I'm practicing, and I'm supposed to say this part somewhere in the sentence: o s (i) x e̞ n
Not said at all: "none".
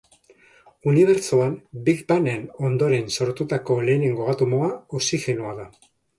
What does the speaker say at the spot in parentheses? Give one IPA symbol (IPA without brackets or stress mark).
i